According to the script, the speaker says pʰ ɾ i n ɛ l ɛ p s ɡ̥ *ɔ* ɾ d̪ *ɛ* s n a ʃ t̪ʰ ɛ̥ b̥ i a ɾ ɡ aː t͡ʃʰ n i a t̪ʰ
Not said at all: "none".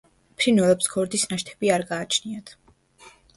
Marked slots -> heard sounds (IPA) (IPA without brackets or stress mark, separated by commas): ɔ, i